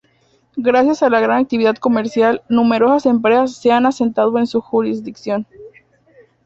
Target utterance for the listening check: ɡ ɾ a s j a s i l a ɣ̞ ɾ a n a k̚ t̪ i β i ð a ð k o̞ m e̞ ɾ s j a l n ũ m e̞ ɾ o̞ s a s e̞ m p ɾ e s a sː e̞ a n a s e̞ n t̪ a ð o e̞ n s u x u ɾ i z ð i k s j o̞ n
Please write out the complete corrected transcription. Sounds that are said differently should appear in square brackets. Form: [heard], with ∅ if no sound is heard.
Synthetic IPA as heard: ɡ ɾ a s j a s [a] l a ɣ̞ ɾ a n a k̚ t̪ i β i ð a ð k o̞ m e̞ ɾ s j a l n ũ m e̞ ɾ o̞ s a s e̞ m p ɾ e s a sː e̞ a n a s e̞ n t̪ a ð o e̞ n s u x u ɾ i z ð i k s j o̞ n